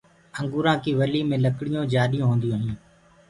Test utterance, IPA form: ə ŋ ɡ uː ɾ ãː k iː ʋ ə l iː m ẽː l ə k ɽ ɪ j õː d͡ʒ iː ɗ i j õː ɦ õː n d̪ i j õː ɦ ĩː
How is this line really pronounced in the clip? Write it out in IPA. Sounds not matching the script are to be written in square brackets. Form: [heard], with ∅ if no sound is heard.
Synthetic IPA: ə ŋ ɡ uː ɾ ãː k iː ʋ ə l iː m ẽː l ə k ɽ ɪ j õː d͡ʒ [aː] ɗ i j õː ɦ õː n d̪ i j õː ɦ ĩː